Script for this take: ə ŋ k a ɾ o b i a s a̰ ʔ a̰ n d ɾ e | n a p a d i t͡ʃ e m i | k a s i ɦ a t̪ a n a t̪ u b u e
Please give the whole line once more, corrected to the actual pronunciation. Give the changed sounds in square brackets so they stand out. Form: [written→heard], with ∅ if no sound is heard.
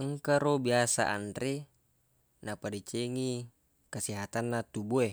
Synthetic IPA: ə ŋ k a ɾ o b i a s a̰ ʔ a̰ n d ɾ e | n a p a d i t͡ʃ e [m→ŋ] i | k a s i ɦ a t̪ a [n→nː] a t̪ u b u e